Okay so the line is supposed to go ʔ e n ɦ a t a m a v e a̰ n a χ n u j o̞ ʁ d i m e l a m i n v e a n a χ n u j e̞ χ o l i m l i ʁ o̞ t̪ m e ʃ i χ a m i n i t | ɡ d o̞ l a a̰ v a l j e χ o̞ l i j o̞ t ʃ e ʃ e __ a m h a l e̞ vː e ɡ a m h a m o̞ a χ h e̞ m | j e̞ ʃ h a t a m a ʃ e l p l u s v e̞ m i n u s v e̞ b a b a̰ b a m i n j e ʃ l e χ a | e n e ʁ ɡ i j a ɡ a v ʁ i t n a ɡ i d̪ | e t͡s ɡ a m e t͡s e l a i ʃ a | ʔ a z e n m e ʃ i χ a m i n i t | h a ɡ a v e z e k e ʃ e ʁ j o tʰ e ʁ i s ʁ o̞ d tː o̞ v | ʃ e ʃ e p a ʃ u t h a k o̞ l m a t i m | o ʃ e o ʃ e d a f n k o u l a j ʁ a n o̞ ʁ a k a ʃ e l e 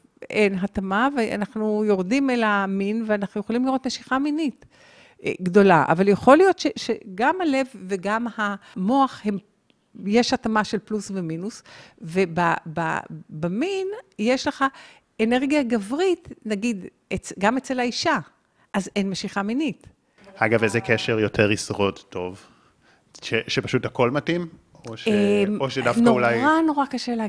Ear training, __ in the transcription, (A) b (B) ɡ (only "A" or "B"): B